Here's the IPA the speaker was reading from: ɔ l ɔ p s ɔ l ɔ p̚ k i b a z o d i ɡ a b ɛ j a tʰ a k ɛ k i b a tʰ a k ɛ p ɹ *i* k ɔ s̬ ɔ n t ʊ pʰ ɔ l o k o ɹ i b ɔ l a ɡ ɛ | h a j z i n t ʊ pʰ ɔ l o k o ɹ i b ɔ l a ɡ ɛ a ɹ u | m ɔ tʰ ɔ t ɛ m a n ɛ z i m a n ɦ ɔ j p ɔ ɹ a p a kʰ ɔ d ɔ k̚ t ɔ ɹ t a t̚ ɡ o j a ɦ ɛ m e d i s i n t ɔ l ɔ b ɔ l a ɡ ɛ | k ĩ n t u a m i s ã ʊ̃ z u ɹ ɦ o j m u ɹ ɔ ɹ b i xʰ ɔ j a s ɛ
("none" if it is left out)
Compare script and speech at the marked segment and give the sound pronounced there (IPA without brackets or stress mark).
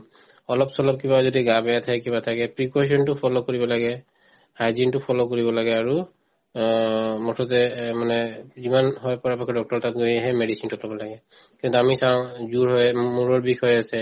i